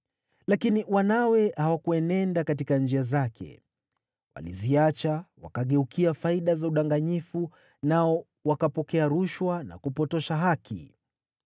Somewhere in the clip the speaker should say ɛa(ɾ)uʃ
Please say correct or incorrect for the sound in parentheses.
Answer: correct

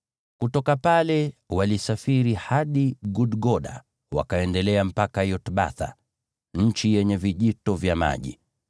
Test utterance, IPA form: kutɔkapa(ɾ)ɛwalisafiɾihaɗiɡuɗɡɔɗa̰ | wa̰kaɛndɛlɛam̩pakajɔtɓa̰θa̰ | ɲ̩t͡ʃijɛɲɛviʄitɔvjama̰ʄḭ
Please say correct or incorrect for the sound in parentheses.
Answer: incorrect: l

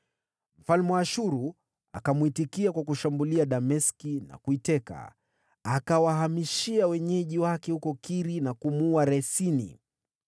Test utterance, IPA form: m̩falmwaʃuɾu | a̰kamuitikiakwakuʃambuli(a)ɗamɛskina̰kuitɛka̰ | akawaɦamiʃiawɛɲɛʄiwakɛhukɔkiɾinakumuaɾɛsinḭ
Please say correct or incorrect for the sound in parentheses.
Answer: correct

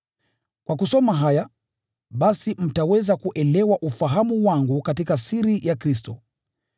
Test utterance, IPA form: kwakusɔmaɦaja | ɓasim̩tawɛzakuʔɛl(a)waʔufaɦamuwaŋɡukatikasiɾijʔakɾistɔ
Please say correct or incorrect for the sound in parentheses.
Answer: incorrect: ɛ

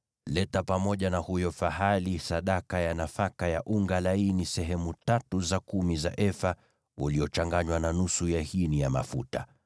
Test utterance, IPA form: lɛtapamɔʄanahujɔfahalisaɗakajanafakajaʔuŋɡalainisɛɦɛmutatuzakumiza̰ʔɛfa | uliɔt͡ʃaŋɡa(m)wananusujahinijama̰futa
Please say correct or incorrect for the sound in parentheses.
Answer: incorrect: ɲ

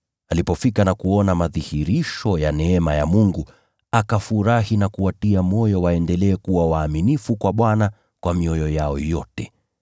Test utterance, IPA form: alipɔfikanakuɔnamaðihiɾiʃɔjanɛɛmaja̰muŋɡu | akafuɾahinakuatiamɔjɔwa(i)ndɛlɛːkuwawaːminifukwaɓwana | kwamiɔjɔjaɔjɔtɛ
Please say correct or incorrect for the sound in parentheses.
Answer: incorrect: ɛ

